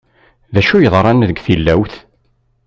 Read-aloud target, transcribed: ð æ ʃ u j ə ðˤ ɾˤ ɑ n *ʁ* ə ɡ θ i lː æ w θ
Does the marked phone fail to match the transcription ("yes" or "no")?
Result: yes